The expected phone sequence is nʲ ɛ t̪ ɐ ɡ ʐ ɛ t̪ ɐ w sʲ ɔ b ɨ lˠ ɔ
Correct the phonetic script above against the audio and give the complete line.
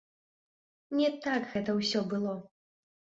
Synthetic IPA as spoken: nʲ ɛ t̪ a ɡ ɣ ɛ t̪ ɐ w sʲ ɔ b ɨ lˠ ɔ